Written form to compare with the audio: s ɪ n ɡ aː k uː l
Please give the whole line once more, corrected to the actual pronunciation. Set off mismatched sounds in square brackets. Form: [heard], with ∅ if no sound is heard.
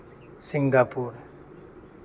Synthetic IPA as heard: s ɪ [ŋ] ɡ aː [p] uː [ɾ]